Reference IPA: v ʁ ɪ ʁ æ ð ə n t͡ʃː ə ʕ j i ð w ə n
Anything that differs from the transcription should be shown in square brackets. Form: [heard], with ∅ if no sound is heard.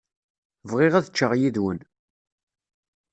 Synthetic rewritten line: v ʁ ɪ ʁ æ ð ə [∅] t͡ʃː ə [ʁ] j i ð w ə n